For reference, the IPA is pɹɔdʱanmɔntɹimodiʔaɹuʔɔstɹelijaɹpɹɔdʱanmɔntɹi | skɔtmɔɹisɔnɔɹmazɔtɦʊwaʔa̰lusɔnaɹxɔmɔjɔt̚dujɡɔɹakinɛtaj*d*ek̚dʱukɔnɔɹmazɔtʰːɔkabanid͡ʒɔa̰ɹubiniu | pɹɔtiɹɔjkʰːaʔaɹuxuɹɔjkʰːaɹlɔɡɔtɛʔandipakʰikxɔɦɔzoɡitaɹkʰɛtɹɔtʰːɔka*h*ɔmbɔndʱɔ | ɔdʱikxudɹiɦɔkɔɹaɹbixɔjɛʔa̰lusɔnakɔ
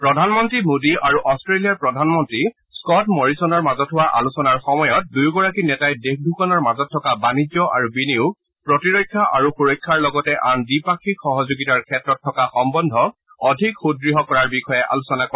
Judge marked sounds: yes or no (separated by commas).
yes, no